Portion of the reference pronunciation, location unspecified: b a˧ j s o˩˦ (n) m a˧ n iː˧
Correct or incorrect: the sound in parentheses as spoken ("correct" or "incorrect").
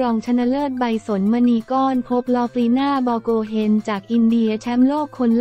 correct